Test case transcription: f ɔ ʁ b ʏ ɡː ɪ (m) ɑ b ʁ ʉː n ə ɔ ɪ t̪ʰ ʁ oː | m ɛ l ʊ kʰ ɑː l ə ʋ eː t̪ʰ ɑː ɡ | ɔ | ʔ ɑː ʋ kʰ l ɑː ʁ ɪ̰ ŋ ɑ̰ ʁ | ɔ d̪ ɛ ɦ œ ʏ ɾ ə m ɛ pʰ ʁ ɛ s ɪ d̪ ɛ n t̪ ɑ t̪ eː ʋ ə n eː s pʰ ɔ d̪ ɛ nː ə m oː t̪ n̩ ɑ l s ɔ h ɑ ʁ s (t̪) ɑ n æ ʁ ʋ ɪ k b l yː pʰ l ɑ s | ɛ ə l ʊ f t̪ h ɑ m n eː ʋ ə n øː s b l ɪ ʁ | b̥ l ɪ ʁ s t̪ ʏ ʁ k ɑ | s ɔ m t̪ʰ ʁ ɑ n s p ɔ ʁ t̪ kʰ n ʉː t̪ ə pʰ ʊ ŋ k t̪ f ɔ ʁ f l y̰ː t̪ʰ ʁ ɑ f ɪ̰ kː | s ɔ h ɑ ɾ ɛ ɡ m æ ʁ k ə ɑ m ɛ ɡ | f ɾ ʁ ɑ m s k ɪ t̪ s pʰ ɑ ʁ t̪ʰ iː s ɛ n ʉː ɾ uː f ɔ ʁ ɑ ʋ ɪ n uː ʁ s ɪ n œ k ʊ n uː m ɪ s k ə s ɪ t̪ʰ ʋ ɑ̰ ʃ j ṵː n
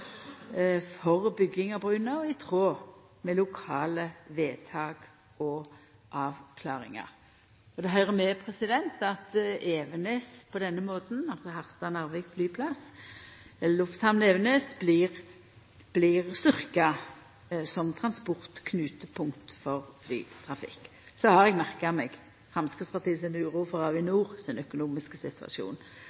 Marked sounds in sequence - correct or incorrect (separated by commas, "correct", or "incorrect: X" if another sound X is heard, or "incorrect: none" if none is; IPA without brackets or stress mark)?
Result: incorrect: ŋ, correct